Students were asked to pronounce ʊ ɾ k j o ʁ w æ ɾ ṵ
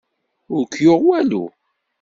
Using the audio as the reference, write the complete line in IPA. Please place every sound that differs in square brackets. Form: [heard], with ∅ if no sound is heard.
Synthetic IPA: ʊ ɾ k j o ʁ w æ [l] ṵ